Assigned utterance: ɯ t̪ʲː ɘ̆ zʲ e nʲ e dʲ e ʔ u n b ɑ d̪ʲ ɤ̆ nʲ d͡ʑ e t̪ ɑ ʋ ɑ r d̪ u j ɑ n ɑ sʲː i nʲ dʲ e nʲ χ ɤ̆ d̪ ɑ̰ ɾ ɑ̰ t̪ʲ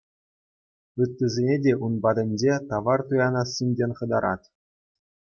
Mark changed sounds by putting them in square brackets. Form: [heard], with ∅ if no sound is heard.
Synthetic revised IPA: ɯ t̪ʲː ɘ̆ zʲ e nʲ e dʲ e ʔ u n b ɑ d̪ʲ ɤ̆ nʲ d͡ʑ e t̪ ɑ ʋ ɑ r [t̪] u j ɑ n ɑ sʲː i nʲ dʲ e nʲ χ ɤ̆ d̪ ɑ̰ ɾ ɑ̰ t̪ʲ